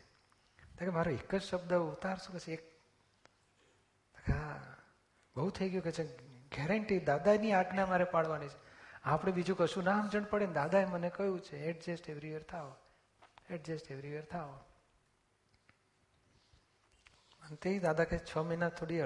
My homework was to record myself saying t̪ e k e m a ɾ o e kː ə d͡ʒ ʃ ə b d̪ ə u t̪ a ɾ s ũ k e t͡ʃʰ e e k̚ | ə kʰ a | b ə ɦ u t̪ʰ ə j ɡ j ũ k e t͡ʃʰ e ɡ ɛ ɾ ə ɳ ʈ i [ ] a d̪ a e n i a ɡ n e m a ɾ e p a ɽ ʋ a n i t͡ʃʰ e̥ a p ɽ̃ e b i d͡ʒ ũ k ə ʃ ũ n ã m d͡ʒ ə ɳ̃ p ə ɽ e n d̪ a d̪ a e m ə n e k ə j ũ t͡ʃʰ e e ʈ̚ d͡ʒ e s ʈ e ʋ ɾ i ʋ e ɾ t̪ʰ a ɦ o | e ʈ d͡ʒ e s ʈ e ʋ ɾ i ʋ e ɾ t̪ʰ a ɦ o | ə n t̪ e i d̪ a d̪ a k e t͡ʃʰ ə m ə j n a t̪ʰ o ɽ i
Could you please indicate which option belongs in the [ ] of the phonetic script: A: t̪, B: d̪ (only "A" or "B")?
B